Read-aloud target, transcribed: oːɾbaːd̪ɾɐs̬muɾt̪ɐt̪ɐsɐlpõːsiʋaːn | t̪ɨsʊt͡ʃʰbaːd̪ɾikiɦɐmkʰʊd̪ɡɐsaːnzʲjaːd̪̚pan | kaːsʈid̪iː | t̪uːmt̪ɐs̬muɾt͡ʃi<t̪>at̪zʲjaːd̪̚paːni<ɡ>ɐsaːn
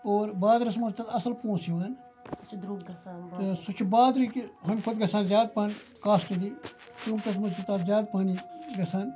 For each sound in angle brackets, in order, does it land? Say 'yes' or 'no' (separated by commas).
yes, yes